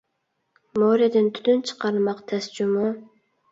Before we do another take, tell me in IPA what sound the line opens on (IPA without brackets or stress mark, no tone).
m